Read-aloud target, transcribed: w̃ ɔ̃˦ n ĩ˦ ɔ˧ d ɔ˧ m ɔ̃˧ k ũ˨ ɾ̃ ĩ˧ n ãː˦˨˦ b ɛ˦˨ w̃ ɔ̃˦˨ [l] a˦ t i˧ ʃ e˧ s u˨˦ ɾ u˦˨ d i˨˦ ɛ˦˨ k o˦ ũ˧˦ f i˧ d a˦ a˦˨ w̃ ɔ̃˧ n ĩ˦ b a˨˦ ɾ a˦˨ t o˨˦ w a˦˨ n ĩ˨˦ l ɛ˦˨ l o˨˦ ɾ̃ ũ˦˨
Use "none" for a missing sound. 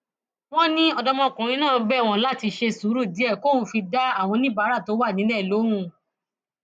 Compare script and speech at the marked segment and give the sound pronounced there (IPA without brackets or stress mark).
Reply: l